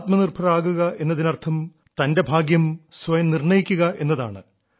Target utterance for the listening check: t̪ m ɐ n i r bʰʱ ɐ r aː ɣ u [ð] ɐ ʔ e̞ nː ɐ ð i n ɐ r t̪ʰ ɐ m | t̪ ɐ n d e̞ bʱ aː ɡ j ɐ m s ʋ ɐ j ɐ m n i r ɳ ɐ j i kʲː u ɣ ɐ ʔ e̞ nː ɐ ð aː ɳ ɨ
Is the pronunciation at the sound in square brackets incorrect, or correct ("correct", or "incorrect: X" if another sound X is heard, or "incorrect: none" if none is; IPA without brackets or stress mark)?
incorrect: ɣ